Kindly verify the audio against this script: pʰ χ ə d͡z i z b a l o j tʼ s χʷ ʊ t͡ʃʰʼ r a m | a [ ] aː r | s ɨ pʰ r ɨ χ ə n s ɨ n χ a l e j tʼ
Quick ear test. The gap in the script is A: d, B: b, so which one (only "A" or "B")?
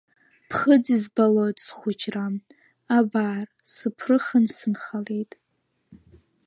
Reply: B